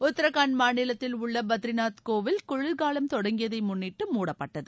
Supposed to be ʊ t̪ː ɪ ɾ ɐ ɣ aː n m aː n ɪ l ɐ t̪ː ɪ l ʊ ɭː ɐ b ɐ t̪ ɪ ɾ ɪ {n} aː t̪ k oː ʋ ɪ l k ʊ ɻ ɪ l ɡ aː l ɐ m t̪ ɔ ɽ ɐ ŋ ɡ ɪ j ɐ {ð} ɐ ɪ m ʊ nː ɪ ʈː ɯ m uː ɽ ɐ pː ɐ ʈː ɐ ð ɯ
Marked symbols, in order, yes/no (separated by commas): yes, yes